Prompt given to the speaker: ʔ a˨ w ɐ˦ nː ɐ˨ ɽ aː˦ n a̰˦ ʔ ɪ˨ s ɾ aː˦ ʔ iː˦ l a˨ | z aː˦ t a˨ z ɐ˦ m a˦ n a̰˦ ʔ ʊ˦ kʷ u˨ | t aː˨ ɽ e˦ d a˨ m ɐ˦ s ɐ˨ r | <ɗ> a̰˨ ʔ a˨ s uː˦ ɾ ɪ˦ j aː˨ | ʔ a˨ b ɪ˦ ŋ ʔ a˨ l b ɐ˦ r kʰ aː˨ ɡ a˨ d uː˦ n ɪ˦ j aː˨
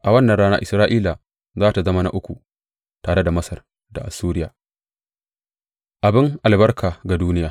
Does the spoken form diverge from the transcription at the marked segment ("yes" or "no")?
yes